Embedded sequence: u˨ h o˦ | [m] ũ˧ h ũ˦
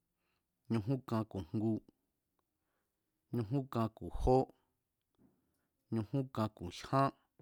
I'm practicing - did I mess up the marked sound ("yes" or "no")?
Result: yes